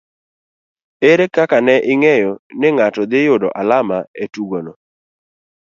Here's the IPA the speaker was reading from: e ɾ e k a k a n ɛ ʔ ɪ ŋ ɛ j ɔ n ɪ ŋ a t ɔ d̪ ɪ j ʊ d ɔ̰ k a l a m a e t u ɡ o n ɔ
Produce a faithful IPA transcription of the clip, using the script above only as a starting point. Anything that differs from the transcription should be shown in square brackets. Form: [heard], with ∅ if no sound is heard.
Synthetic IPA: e ɾ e k a k a n ɛ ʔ ɪ ŋ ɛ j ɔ n ɪ ŋ a t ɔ d̪ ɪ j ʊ d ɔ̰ [ʔ] a l a m a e t u ɡ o n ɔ